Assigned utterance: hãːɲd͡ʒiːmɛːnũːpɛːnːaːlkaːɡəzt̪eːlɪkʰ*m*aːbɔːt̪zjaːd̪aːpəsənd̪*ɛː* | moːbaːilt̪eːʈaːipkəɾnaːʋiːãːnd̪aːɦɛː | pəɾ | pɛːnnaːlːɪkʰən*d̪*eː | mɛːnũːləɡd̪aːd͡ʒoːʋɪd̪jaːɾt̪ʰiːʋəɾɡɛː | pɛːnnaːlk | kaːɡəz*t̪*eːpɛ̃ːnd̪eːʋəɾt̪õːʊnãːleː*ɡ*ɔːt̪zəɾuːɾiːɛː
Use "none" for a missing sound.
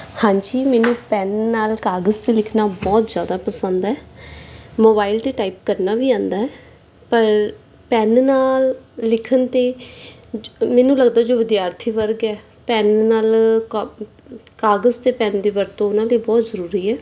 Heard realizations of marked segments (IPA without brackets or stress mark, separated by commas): n, ɛː, t̪, t̪, b